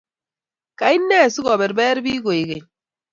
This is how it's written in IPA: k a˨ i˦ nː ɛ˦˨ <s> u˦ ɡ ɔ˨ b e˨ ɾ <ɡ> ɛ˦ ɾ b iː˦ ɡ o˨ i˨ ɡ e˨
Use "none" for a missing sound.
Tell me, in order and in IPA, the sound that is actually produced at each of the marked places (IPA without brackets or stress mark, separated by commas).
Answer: s, b